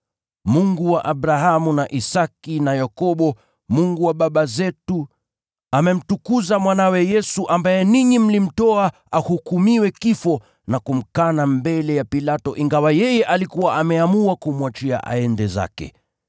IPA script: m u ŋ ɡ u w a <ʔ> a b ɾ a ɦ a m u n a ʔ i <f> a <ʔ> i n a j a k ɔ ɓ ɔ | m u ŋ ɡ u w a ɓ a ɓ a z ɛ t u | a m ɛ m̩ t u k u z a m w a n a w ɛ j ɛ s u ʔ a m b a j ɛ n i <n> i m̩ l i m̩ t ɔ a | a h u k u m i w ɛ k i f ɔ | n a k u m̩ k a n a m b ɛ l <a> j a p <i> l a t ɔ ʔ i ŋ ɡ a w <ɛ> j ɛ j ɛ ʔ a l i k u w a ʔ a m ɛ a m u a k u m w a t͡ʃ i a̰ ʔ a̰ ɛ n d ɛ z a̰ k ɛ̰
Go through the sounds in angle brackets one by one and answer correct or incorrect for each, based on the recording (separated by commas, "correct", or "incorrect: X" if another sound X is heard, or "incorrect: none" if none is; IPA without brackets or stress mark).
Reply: correct, incorrect: s, incorrect: k, incorrect: ɲ, incorrect: ɛ, correct, incorrect: a